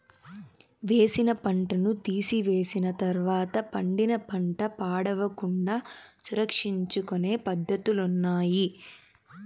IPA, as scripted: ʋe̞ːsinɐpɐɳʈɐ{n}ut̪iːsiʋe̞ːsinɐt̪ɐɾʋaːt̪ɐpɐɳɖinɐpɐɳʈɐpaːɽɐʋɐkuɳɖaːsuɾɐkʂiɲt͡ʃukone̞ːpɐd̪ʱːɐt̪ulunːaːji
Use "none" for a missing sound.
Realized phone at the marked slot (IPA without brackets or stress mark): n